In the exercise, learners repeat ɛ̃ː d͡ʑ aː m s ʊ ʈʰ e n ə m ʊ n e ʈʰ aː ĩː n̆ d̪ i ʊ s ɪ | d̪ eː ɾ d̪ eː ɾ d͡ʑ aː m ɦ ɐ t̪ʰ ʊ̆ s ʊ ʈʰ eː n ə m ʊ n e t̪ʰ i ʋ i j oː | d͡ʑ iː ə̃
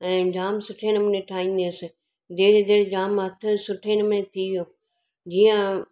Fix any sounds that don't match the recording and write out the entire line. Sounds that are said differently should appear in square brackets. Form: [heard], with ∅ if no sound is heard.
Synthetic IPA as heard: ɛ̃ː d͡ʑ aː m s ʊ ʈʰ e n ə m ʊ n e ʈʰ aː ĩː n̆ d̪ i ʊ s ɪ | d̪ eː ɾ d̪ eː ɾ d͡ʑ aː m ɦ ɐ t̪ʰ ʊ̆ s ʊ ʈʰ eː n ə m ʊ n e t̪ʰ i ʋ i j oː | d͡ʑ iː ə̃